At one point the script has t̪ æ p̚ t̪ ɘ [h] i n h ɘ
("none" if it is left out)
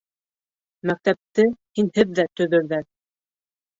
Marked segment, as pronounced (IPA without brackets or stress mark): h